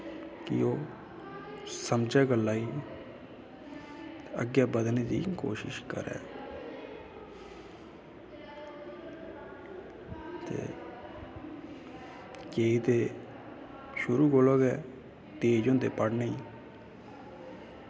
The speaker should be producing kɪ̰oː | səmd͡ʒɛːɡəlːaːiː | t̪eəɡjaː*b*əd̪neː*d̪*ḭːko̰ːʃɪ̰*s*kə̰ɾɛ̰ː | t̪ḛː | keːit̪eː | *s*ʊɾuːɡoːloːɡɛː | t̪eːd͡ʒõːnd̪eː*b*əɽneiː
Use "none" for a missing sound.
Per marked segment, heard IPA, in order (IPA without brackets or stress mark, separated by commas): b, d̪, ʃ, ʃ, p